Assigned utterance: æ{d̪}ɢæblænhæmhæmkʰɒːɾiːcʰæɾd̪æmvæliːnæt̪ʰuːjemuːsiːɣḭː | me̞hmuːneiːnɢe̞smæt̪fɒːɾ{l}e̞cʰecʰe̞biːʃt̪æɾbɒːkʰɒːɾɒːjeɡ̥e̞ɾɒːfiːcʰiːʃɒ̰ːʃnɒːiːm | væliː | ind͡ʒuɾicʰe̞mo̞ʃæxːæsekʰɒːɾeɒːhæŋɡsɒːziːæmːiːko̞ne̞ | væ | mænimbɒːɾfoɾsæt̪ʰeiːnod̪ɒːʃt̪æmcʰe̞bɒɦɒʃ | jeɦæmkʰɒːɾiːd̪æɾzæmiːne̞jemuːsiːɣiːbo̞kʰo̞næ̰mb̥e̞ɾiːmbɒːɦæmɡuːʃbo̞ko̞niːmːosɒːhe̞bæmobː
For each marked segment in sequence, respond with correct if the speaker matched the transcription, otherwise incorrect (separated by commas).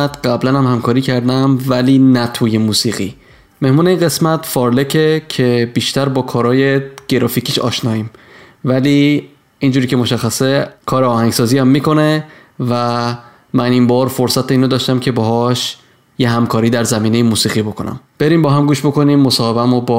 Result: incorrect, correct